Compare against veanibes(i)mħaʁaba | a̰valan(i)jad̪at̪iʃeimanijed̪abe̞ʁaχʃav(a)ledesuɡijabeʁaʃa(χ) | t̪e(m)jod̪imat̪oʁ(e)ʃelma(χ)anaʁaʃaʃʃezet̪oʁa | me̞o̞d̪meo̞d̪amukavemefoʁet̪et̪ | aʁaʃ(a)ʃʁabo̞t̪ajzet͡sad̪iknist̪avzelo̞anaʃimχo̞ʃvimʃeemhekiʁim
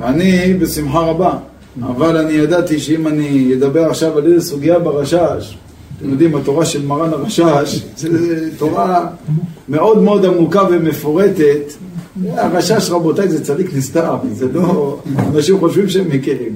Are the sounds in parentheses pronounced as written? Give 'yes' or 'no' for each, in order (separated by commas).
yes, yes, yes, no, yes, no, no, yes